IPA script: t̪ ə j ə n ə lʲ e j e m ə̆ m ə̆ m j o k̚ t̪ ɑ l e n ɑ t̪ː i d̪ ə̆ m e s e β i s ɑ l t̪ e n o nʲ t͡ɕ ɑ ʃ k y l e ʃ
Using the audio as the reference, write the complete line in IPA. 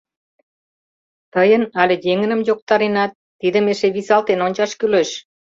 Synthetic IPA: t̪ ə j ə n ɑ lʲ e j e ŋ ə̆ n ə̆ m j o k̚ t̪ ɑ ɾ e n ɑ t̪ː i d̪ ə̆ m e ʃ e β i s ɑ l t̪ e n o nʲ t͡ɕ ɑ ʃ k y l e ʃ